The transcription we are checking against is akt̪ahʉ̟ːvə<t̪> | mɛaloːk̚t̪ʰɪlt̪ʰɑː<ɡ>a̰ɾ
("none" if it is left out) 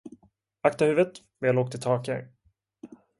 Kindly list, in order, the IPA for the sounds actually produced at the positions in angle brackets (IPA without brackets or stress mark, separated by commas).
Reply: t̪, k